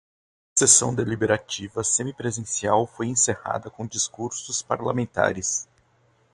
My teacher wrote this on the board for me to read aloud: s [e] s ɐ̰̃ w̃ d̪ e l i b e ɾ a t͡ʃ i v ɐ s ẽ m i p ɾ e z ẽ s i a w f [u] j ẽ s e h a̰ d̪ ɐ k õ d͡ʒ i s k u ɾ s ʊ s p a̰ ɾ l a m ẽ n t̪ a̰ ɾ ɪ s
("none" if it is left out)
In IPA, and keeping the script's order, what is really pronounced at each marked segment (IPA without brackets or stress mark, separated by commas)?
e, o